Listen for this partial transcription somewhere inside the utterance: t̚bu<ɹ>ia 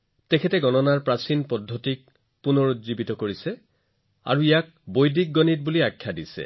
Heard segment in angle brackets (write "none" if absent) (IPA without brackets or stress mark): l